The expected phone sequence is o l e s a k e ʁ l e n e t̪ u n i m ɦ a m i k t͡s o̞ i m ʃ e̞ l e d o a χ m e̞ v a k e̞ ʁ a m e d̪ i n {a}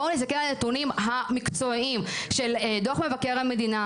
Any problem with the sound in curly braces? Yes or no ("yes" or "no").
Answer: no